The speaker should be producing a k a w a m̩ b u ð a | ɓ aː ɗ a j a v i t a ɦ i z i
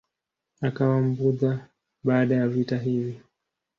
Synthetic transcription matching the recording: a k a w a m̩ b u ð a | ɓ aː ɗ a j a v i t a ɦ i v i